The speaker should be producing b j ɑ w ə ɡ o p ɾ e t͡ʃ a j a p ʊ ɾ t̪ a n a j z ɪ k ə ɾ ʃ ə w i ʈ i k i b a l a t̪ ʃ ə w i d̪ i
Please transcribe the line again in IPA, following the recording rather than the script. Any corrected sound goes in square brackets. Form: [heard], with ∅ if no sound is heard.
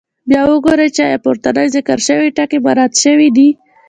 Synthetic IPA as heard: b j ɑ w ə ɡ o [∅] ɾ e t͡ʃ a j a p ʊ ɾ t̪ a n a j z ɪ k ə ɾ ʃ ə w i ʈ [a] k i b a [ɾ] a t̪ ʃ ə w i d̪ i